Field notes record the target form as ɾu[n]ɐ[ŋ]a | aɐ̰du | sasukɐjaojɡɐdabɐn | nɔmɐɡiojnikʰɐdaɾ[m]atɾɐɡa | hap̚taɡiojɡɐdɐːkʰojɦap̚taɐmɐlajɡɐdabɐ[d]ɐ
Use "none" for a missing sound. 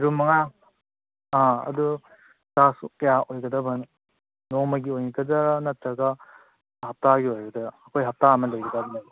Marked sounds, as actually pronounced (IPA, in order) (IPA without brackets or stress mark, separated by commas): m, ŋ, n, n